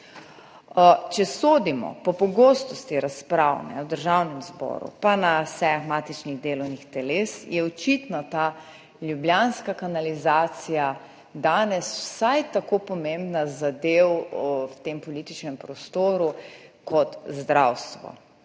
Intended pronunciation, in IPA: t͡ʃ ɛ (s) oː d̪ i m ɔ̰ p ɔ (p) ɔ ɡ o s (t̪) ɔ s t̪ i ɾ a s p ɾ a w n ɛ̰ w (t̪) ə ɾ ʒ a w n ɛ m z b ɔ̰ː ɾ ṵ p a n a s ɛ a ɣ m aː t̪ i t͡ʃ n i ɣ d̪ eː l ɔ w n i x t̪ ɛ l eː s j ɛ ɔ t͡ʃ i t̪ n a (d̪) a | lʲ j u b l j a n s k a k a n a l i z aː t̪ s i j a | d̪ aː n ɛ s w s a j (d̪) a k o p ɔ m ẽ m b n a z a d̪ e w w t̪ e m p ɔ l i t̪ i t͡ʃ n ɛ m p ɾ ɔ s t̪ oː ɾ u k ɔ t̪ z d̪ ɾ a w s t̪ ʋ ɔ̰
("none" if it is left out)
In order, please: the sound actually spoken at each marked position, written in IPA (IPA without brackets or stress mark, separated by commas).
s, p, t̪, d̪, t̪, t̪